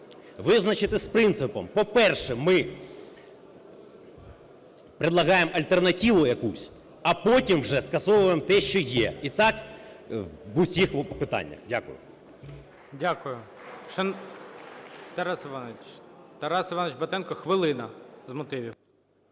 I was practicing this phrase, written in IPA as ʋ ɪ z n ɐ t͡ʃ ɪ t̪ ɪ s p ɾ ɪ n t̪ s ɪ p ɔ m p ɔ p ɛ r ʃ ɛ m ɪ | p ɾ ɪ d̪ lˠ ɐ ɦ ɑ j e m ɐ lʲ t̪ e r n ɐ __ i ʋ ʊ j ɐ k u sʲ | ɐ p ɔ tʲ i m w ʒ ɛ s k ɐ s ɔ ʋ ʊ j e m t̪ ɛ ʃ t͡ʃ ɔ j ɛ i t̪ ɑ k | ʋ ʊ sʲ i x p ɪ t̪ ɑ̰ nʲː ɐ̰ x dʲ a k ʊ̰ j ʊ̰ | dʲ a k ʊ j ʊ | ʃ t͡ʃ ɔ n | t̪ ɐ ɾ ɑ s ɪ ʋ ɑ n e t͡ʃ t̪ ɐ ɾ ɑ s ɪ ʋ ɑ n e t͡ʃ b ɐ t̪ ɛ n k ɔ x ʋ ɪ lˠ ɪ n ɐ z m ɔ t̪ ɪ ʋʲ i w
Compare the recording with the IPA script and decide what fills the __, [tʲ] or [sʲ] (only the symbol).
tʲ